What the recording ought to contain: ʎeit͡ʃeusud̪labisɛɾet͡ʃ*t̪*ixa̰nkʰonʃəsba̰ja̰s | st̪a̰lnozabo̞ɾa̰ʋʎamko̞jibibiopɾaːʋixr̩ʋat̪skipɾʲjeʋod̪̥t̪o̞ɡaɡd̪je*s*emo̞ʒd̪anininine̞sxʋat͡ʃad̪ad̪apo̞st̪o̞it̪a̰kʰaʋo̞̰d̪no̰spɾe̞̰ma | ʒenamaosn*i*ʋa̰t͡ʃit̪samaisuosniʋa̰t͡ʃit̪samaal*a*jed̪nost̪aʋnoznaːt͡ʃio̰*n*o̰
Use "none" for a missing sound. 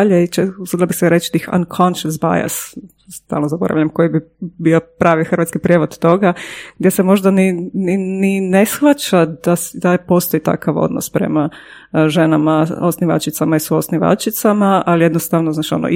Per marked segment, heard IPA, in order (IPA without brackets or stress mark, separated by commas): t̪, s, i, i, n